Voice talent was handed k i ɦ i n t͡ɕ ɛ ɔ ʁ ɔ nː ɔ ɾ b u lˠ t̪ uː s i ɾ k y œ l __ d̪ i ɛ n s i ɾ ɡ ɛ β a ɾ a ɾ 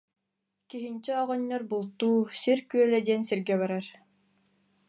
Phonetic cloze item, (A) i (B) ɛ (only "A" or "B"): B